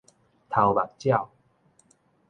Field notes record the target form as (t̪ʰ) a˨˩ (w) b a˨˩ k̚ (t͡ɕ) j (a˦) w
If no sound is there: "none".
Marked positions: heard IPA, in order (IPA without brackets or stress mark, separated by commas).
t̪ʰ, w, t͡ɕ, a˥˨